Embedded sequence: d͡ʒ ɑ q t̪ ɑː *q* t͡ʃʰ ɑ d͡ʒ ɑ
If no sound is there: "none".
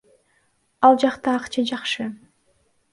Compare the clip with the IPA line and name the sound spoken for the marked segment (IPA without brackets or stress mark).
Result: q